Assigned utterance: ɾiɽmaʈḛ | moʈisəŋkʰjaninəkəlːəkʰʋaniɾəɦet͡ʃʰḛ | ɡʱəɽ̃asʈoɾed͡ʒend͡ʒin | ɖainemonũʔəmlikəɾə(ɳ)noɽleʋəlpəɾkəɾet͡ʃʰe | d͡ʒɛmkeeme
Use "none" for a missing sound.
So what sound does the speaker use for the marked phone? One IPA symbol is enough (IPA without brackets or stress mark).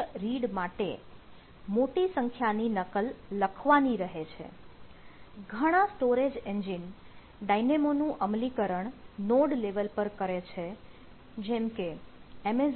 ɳ